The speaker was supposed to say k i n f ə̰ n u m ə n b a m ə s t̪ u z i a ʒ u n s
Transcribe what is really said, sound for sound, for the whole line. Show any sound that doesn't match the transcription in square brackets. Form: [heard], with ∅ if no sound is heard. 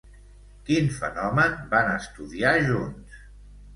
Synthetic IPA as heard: k i n f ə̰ n [ɔ] m ə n b a [n] ə s t̪ u [ð] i a ʒ u n s

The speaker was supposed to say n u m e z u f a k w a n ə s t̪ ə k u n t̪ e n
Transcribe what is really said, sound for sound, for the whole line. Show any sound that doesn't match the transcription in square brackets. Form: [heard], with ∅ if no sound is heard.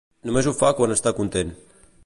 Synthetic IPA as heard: n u m e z u f a k w a n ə s t̪ [a] k u n t̪ e n

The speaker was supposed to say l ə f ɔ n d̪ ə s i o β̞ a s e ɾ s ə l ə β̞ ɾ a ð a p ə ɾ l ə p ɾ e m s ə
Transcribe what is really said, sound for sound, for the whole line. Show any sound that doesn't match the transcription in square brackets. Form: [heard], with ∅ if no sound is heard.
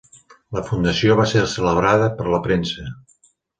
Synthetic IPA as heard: l ə f [u] n d̪ ə s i o β̞ a s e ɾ s ə l ə β̞ ɾ a ð [ə] p ə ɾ l ə p ɾ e [n] s ə

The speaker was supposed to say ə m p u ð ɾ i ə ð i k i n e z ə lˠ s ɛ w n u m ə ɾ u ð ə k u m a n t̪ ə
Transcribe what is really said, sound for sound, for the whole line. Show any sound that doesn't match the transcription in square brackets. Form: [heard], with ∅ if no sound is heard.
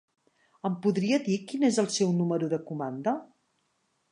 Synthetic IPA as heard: ə m p u ð ɾ i ə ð i k i n e z ə lˠ s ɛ w n u m ə ɾ u ð ə k u m a n [d̪] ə

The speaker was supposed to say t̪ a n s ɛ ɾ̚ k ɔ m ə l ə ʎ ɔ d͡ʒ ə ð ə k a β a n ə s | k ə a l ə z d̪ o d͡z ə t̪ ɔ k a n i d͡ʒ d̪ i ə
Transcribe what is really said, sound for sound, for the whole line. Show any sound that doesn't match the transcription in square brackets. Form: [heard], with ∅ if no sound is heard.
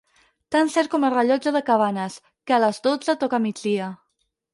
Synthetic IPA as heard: t̪ a n s ɛ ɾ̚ k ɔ m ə [r] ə ʎ ɔ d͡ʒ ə ð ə k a β a n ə s | k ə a l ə z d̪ o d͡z ə t̪ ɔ k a [m] i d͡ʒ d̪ i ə

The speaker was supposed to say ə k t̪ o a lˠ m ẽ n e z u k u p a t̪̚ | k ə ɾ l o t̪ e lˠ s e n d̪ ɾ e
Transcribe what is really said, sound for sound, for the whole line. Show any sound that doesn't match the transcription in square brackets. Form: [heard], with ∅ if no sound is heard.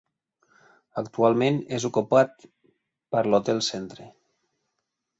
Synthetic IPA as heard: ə k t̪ [u] a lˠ m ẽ n e z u k u p a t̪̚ | [p] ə ɾ l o t̪ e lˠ s e n [t̪] ɾ e

